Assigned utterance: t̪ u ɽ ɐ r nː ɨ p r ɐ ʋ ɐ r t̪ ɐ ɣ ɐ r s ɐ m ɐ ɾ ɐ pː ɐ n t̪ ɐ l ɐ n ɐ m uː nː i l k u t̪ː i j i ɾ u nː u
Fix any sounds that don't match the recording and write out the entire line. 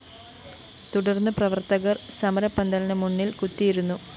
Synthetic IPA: t̪ u ɽ ɐ r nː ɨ p r ɐ ʋ ɐ r t̪ ɐ ɣ ɐ r s ɐ m ɐ ɾ ɐ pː ɐ n d̪ ɐ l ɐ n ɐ m u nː i l k u t̪ː i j i ɾ u nː u